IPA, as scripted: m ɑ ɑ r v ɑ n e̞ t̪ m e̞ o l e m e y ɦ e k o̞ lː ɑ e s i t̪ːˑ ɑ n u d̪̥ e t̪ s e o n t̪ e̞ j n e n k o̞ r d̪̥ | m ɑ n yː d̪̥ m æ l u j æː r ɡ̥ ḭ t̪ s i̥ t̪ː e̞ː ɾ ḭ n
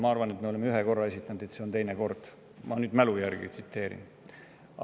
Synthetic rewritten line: m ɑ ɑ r v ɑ n e̞ t̪ m e̞ o l e m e y ɦ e k o̞ rː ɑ e s i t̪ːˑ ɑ n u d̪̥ e t̪ s e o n t̪ e̞ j n e k o̞ r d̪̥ | m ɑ n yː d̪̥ m æ l u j æ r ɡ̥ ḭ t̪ s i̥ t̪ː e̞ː ɾ ḭ n